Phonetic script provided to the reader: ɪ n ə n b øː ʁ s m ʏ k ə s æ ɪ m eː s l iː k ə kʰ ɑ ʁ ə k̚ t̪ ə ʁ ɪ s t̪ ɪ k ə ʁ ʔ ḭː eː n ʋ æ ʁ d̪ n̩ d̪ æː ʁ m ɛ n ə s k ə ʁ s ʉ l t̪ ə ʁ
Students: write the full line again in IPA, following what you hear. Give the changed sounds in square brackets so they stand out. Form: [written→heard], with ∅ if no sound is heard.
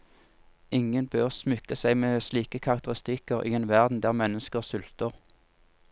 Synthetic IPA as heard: ɪ [n→ŋ] ə n b øː ʁ s m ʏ k ə s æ ɪ m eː s l iː k ə kʰ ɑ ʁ [ə→ɑ] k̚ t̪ ə ʁ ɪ s t̪ ɪ k ə ʁ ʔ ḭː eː n ʋ æ ʁ d̪ n̩ d̪ æː ʁ m ɛ n ə s k ə ʁ s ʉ l t̪ ə ʁ

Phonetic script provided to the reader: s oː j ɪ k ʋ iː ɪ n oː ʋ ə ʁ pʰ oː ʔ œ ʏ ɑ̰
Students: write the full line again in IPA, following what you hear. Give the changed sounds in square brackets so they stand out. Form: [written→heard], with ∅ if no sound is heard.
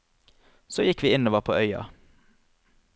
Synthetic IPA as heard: s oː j ɪ k ʋ iː ɪ n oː ʋ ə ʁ pʰ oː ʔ œ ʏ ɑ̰

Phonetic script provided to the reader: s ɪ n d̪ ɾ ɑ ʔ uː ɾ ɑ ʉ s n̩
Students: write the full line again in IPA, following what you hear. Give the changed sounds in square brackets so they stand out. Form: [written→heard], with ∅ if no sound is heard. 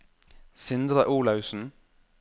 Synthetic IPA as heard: s ɪ n d̪ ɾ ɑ ʔ uː [ɾ→l] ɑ ʉ s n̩

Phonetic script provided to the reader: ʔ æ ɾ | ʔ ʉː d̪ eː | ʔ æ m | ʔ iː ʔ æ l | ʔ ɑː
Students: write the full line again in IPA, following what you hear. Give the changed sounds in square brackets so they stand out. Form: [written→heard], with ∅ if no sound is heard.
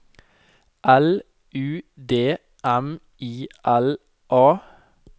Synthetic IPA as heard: ʔ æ [ɾ→l] | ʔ ʉː d̪ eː | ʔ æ m | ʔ iː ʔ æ l | ʔ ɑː

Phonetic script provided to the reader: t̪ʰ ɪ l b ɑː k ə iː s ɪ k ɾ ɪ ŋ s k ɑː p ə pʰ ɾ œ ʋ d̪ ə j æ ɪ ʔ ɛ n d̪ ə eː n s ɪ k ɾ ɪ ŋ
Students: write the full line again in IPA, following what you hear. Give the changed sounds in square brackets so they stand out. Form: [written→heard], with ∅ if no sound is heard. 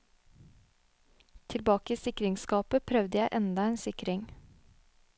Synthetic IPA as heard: t̪ʰ ɪ l b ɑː k ə iː s ɪ k ɾ ɪ ŋ s k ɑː p ə pʰ ɾ œ ʋ d̪ ə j æ ɪ ʔ ɛ n d̪ [ə→ɑ] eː n s ɪ k ɾ ɪ ŋ

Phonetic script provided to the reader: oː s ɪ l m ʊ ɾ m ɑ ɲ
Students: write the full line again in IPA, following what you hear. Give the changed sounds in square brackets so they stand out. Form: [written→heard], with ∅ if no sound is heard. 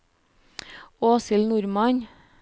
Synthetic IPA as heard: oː s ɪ l [m→n] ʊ ɾ m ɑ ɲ

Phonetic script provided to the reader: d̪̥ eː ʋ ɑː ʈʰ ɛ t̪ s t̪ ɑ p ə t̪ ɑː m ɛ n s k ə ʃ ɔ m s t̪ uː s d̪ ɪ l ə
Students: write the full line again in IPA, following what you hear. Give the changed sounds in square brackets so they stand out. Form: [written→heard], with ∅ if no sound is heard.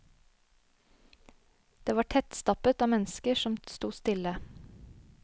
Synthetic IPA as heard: d̪̥ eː ʋ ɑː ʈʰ ɛ t̪ s t̪ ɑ p ə t̪ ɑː m ɛ n s k ə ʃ ɔ m s t̪ uː s [d̪→t̪] ɪ l ə

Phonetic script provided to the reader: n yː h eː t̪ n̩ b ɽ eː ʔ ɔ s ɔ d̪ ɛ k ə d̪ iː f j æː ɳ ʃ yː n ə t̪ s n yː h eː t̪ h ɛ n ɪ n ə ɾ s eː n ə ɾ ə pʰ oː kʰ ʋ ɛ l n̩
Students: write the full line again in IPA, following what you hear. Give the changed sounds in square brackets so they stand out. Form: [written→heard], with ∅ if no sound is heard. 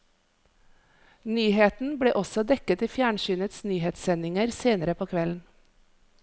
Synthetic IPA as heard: n yː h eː t̪ n̩ b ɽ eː ʔ ɔ s ɔ d̪ ɛ k ə [d̪→t̪] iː f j æː ɳ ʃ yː n ə t̪ s n yː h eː t̪ [h→s] ɛ n ɪ [n→ŋ] ə ɾ s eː n ə ɾ ə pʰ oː kʰ ʋ ɛ l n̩

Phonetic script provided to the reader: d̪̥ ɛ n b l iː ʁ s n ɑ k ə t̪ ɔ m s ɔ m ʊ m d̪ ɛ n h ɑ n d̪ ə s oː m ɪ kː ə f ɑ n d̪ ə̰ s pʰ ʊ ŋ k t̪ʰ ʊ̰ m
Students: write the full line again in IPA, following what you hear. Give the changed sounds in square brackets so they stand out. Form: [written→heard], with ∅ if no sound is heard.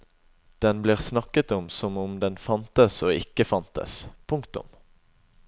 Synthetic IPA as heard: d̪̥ ɛ n b l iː ʁ s n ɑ k ə t̪ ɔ m s ɔ m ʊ m d̪ ɛ n [h→f] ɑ n [d̪→t̪] ə s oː [m→∅] ɪ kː ə f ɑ n [d̪→t̪] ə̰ s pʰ ʊ ŋ k [t̪ʰ→t̪] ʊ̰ m

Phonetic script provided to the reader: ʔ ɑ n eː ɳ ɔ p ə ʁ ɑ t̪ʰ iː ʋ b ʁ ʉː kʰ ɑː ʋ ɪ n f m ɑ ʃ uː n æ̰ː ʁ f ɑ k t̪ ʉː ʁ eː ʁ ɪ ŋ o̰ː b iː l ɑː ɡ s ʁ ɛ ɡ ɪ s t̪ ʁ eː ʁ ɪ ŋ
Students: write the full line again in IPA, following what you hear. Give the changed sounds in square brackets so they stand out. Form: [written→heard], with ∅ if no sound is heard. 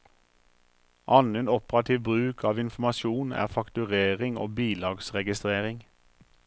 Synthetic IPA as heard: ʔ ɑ n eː [ɳ→n] ɔ p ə ʁ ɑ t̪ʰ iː ʋ b ʁ ʉː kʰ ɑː ʋ ɪ n f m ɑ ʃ uː n æ̰ː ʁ f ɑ k t̪ [ʉː→ʉ] ʁ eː ʁ ɪ ŋ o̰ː b iː l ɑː ɡ s ʁ ɛ ɡ ɪ s t̪ ʁ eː ʁ ɪ ŋ

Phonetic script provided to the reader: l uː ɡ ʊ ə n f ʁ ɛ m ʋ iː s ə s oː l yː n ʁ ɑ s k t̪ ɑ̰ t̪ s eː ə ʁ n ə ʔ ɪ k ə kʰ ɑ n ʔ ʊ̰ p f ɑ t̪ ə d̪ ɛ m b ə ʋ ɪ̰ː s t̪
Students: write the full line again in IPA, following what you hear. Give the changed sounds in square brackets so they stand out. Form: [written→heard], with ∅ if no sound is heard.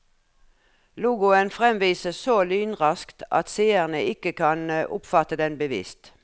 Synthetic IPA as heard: l uː ɡ ʊ ə n f ʁ ɛ m ʋ iː s ə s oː l yː n ʁ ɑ s k t̪ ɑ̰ t̪ s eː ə ʁ n ə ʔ ɪ k ə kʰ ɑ n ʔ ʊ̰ p f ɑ t̪ ə d̪ ɛ [m→n] b ə ʋ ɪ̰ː s t̪

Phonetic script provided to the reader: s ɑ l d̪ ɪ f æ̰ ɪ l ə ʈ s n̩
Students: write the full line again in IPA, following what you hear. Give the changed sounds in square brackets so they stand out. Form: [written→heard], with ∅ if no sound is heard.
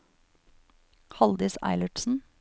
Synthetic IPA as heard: [s→h] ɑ l d̪ ɪ [f→s] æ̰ ɪ l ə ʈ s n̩

